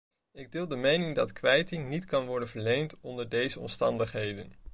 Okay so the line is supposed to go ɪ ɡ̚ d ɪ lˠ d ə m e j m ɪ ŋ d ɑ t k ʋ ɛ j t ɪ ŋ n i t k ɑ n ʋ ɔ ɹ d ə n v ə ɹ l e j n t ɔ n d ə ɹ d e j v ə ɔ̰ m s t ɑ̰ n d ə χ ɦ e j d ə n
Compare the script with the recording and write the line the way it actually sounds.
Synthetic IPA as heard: ɪ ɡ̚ d ɪ lˠ d ə m e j n ɪ ŋ d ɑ t k ʋ ɛ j t ɪ ŋ n i t k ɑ n ʋ ɔ ɹ d ə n v ə ɹ l e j n t ɔ n d ə ɹ d e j z ə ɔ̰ m s t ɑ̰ n d ə χ ɦ e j d ə n

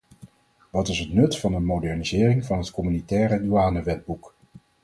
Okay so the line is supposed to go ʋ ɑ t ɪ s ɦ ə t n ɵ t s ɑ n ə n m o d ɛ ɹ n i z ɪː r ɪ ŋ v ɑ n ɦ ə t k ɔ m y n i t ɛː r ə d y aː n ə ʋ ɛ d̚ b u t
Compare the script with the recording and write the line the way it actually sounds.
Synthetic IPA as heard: ʋ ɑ t ɪ s ɦ ə t n ɵ t f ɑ n ə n m o d ɛ ɹ n i z ɪː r ɪ ŋ v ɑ n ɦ ə t k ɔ m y n i t ɛː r ə d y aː n ə ʋ ɛ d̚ b u k

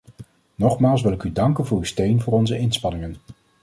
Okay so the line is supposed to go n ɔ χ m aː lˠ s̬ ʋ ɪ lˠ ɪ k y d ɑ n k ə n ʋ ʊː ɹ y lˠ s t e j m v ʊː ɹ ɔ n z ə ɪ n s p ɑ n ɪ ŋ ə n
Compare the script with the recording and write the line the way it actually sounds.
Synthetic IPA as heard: n ɔ χ m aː lˠ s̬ ʋ ɪ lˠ ɪ k y d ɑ ŋ k ə n v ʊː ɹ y s t e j n v ʊː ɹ ɔ n z ə ɪ n s p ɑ n ɪ ŋ ə n

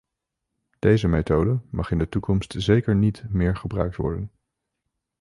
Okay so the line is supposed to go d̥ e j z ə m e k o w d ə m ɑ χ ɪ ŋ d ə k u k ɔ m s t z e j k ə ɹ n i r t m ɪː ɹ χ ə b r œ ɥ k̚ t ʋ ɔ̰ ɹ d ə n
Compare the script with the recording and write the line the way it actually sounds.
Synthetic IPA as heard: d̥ e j z ə m e t o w d ə m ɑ χ ɪ n d ə t u k ɔ m s t z e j k ə ɹ n i t m ɪː ɹ χ ə b r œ ɥ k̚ t ʋ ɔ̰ ɹ d ə n

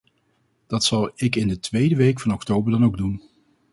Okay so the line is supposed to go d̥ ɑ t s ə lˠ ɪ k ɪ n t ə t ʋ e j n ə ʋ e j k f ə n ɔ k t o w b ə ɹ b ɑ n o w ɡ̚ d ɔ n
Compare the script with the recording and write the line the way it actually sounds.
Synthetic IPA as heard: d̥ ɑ t s ɑ lˠ ɪ k ɪ n d ə t ʋ e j d ə ʋ e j k f ɑ n ɔ k t o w b ə ɹ d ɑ n o w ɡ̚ d u n

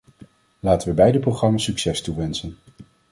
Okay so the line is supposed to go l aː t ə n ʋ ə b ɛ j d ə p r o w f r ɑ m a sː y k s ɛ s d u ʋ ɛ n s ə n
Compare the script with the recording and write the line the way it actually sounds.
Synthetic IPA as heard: l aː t ə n ʋ ə b ɛ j d ə p r o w χ r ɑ m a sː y k s ɛ s t u ʋ ɛ n s ə n

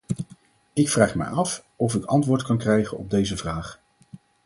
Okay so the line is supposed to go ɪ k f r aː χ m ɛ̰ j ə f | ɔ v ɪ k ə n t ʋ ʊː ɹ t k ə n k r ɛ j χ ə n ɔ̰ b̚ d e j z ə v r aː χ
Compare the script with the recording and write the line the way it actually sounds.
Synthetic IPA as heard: ɪ k f r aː χ m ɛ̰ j ɑ f | ɔ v ɪ k ɑ n t ʋ ʊː ɹ t k ɑ n k r ɛ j χ ə n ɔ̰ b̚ d e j z ə v r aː χ

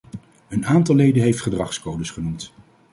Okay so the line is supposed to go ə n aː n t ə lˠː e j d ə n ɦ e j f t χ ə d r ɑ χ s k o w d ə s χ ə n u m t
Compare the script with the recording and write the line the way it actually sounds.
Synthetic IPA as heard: ə n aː n t ɑ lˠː e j d ə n ɦ e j f t χ ə d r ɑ χ s k o w d ə s χ ə n u m t

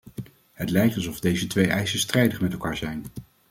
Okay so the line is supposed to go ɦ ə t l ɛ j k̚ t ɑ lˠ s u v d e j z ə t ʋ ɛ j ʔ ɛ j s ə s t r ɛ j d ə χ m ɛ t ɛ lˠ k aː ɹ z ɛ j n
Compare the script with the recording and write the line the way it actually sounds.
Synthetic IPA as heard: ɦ ə t l ɛ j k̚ t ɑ lˠ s ɔ v d e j z ə t ʋ e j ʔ ɛ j s ə s t r ɛ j d ə χ m ɛ t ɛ lˠ k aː ɹ z ɛ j n

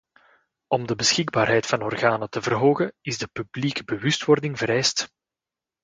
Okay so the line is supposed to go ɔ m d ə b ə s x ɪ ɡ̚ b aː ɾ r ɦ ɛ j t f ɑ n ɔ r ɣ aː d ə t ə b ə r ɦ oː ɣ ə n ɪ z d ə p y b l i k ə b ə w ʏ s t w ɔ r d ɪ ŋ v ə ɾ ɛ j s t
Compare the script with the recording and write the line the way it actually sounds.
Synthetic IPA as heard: ɔ m d ə b ə s x ɪ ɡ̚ b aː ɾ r ɦ ɛ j t f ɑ n ɔ r ɣ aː n ə t ə v ə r ɦ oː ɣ ə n ɪ z d ə p y b l i k ə b ə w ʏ s t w ɔ r d ɪ ŋ v ə ɾ ɛ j s t

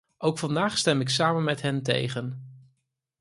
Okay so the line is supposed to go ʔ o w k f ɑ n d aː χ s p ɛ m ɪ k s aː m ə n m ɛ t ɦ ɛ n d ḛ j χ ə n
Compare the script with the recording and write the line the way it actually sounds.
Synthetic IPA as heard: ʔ o w k f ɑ n d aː χ s t ɛ m ɪ k s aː m ə n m ɛ t ɦ ɛ n t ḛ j χ ə n

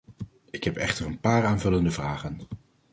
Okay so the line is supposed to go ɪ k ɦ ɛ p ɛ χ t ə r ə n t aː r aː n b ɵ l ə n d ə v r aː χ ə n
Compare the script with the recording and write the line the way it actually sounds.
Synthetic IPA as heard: ɪ k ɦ ɛ p ɛ χ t ə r ə n p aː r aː n v ɵ l ə n d ə v r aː χ ə n

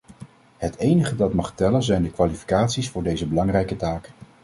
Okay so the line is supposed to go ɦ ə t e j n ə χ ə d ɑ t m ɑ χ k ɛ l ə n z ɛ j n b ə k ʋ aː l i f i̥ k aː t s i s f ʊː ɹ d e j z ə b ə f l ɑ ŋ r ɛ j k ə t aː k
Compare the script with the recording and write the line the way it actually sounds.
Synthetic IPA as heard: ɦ ə t e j n ə χ ə d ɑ t m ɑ χ t ɛ l ə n z ɛ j n d ə k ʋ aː l i f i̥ k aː t s i s f ʊː ɹ d e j z ə b ə l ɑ ŋ r ɛ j k ə t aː k

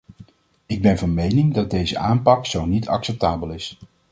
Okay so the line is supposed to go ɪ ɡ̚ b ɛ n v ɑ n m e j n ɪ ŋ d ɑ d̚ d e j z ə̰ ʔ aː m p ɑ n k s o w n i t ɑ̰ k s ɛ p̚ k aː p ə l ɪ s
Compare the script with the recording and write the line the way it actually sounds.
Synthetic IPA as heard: ɪ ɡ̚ b ɛ n v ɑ n m e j n ɪ ŋ d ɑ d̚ d e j z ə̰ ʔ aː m p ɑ k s o w n i t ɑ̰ k s ɛ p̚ t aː b ə l ɪ s

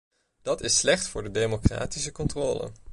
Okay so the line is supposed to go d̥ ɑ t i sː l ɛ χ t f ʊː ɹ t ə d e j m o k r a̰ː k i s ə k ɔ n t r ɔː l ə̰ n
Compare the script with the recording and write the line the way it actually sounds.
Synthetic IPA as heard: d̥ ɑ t ɪ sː l ɛ χ t f ʊː ɹ d ə d e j m o k r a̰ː t i s ə k ɔ n t r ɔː l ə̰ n

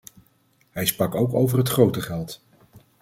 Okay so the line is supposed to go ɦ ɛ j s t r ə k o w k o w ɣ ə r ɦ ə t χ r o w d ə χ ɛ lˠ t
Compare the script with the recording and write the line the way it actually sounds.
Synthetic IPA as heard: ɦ ɛ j s p r ɑ k o w k o w v ə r ɦ ə t χ r o w t ə χ ɛ lˠ t

